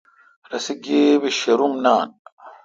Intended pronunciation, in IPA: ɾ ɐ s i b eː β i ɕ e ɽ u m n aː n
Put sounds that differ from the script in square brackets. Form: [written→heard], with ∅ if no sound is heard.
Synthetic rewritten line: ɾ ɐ s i [b→ɡ] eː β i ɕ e [ɽ→ɾ] u m n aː n